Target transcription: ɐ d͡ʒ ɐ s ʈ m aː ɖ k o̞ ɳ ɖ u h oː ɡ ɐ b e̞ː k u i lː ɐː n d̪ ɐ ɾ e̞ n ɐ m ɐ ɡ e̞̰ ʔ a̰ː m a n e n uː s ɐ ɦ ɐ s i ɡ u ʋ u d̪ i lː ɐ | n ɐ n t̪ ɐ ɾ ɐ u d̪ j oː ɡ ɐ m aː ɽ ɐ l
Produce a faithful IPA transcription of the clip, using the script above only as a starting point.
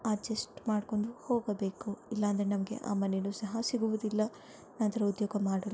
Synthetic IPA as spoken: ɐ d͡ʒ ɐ s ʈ m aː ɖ k o̞ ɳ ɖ u h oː ɡ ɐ b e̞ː k u i lː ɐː n d̪ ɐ ɾ e̞ n ɐ m ɐ ɡ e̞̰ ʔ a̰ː m ɐ n e n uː s ɐ ɦ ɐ s i ɡ u ʋ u d̪ i lː ɐ | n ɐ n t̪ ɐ ɾ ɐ u d̪ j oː ɡ ɐ m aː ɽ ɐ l